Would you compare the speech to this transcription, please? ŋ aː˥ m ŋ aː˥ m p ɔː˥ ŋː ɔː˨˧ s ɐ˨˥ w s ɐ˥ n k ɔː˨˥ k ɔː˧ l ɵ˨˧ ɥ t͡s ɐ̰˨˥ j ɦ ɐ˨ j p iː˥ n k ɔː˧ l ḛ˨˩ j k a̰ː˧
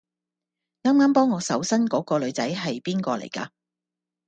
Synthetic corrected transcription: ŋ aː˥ m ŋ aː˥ m p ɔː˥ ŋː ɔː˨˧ s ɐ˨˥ w s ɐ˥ n k ɔː˨˥ k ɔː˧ l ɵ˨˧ ɥ t͡s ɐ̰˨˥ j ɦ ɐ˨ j p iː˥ n k ɔː˧ l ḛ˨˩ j k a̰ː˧

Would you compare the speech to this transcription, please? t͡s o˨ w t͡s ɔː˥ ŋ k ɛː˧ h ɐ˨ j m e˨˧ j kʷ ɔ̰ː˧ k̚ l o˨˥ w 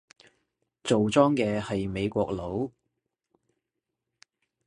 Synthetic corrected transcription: t͡s o˨ w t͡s ɔː˥ ŋ k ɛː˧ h ɐ˨ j m e˨˧ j kʷ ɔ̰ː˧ k̚ l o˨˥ w

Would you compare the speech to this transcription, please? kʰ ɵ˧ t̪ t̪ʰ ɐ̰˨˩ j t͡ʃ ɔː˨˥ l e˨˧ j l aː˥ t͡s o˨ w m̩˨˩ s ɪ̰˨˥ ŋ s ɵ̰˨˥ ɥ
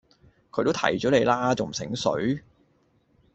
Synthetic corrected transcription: kʰ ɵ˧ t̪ t̪ʰ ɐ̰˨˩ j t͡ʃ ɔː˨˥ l e˨˧ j l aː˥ t͡s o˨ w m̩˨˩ s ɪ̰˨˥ ŋ s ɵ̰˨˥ ɥ

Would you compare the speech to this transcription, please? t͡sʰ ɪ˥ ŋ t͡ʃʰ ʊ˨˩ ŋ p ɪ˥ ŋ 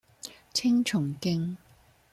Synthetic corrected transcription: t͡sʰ ɪ˥ ŋ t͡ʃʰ ʊ˨˩ ŋ k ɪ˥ ŋ

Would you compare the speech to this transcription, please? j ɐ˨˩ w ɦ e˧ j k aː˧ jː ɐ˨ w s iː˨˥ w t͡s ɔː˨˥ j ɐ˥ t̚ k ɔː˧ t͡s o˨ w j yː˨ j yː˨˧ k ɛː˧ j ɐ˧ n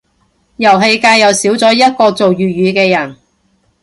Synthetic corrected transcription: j ɐ˨˩ w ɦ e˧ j k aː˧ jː ɐ˨ w s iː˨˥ w t͡s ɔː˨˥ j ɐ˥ t̚ k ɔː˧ t͡s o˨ w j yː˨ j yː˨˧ k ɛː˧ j ɐ˨˩ n

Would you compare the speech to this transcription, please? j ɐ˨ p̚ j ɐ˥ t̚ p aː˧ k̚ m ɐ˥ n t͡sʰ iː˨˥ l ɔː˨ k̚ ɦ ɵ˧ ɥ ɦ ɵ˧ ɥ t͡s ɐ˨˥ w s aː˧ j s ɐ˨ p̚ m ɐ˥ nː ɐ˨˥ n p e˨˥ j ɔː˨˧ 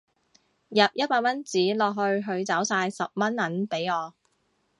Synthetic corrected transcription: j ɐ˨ p̚ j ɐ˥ t̚ p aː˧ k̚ m ɐ˥ n t͡s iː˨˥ l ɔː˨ k̚ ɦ ɵ˧ ɥ ɦ ɵ˧ ɥ t͡s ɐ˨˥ w s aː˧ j s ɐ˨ p̚ m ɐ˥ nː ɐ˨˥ n p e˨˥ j ɔː˨˧

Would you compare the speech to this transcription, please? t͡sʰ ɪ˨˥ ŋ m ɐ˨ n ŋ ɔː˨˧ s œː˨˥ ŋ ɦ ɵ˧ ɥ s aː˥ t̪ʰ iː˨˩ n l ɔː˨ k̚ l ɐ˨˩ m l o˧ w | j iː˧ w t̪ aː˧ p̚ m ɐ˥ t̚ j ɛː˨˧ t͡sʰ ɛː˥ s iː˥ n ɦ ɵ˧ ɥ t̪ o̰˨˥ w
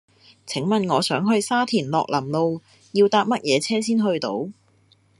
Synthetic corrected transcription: t͡sʰ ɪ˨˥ ŋ m ɐ˨ n ŋ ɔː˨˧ s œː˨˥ ŋ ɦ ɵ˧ ɥ s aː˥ t̪ʰ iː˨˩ n l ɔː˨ k̚ l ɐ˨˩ m l o˧ w | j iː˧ w t̪ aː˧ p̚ m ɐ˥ t̚ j ɛː˨˧ t͡sʰ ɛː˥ s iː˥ n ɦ ɵ˧ ɥ t̪ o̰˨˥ w

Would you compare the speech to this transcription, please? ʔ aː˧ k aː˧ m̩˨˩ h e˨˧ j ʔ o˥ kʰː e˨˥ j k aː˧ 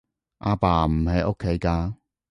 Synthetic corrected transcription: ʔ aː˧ p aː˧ m̩˨˩ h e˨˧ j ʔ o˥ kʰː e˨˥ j k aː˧

